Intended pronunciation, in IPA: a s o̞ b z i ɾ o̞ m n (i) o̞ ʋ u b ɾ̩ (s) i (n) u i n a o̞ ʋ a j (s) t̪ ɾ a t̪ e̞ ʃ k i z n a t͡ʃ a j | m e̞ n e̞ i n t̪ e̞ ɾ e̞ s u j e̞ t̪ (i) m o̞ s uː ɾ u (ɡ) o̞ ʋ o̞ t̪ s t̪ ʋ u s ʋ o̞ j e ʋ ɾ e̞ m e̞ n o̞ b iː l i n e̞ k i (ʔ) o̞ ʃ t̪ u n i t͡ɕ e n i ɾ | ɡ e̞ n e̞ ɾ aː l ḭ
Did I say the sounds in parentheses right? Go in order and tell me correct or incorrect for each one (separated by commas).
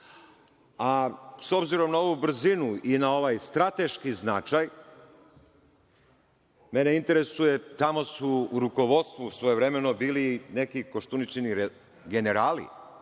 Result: incorrect, incorrect, correct, correct, incorrect, incorrect, incorrect